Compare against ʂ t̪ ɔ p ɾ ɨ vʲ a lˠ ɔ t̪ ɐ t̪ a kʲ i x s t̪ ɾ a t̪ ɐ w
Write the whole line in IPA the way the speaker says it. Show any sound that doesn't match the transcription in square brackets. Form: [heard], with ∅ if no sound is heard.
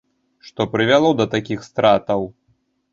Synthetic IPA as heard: ʂ t̪ ɔ p ɾ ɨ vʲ a lˠ ɔ [d̪] ɐ t̪ a kʲ i x s t̪ ɾ a t̪ ɐ w